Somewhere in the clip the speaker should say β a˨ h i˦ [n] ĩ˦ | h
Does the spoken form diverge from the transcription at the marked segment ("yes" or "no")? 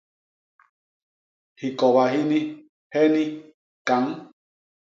no